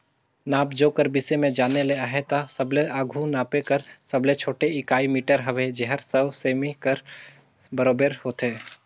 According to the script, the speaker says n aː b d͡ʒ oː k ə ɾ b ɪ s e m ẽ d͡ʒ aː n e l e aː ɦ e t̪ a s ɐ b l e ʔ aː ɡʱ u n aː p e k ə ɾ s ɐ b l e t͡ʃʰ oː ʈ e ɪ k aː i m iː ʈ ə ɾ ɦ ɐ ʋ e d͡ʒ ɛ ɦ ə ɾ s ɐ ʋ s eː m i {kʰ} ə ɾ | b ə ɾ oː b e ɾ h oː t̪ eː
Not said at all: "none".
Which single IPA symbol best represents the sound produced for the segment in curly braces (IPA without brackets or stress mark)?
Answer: k